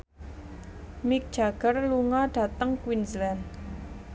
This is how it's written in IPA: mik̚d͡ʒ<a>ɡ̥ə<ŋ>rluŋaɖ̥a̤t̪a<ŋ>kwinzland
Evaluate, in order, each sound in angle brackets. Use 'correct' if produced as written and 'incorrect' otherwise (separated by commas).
correct, incorrect, correct